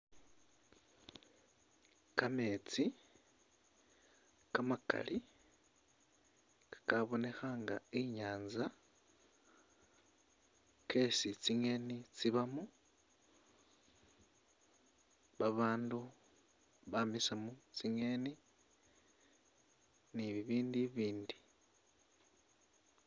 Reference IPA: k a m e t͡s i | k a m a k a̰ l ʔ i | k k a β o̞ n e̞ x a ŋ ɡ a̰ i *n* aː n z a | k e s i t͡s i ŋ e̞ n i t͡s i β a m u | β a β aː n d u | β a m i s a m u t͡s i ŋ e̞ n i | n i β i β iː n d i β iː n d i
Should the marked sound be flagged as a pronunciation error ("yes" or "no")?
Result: yes